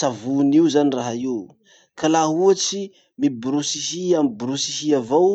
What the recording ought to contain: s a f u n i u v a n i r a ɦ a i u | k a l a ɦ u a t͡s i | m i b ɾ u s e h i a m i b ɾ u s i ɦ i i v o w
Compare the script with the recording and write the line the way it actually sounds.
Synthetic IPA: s a v u n i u z a n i r a ɦ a i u | k a l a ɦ u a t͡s i | m i b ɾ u s i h i a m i b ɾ u s i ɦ i a v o w

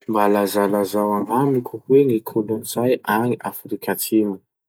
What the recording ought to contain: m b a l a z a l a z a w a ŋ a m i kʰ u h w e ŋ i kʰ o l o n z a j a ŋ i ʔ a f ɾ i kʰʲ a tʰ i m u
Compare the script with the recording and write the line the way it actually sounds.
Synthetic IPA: m b a l a z a l a z a w a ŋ a m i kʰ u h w e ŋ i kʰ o l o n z a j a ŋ i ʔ a f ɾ i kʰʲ a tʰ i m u

